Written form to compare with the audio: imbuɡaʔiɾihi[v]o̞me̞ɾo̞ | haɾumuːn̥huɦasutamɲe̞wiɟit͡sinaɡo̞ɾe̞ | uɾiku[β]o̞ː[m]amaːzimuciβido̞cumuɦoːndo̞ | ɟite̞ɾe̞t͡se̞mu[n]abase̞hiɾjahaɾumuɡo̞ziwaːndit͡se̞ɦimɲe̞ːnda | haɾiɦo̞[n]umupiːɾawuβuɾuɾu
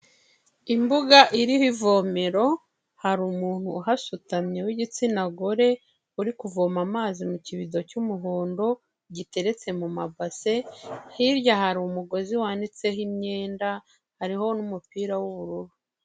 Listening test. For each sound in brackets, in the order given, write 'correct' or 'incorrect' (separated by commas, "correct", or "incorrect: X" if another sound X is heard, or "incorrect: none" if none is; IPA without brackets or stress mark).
correct, incorrect: v, correct, incorrect: m, correct